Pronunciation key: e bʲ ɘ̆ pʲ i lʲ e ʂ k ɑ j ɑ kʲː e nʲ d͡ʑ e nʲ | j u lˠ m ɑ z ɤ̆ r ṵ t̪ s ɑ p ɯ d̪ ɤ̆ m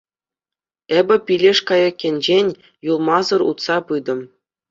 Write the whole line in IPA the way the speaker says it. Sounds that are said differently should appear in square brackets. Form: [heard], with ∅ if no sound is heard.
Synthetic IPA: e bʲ ɘ̆ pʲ i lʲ e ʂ k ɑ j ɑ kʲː e nʲ d͡ʑ e nʲ | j u lˠ m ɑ z ɤ̆ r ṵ t̪ s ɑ p ɯ d̪ ɤ̆ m